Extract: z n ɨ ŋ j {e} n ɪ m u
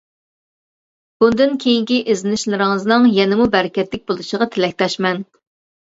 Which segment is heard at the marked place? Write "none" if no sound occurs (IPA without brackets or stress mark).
ɛ